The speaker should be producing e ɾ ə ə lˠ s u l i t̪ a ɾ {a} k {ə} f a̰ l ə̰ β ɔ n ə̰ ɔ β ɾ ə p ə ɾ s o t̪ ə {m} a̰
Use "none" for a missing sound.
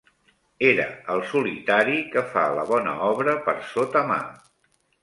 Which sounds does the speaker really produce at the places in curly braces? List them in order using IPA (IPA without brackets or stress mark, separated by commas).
i, ə, m